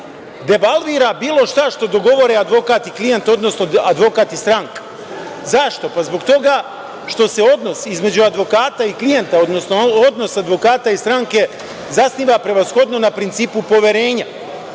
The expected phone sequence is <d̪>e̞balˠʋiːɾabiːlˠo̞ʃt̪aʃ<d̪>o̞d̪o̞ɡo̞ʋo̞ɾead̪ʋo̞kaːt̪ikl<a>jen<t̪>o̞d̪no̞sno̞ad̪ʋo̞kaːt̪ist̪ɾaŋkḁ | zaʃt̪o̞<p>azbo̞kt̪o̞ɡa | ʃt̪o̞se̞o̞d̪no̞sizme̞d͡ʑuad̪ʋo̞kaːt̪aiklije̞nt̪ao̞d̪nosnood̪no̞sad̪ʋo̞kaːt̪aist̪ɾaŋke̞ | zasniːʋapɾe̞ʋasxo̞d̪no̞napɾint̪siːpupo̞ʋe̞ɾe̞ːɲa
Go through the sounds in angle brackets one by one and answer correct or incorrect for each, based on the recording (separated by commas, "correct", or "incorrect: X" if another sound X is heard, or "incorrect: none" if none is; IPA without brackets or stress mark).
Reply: correct, incorrect: t̪, incorrect: i, correct, correct